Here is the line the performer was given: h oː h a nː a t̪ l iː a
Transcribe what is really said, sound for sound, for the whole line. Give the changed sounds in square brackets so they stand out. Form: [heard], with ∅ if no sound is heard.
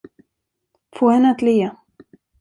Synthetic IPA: [f] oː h [ɛ] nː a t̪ l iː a